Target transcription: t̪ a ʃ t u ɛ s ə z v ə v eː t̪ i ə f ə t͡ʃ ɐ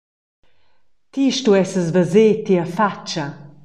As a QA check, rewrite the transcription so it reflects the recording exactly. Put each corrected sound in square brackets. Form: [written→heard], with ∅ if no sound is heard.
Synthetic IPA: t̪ [a→i] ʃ t u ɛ s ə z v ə [v→z] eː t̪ i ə f [ə→a] t͡ʃ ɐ